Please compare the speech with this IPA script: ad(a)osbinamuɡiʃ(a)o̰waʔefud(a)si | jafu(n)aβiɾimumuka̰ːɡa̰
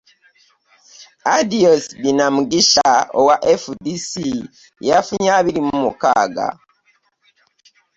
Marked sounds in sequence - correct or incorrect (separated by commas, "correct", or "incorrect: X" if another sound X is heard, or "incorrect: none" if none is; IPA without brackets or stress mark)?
incorrect: i, correct, incorrect: i, incorrect: ɲ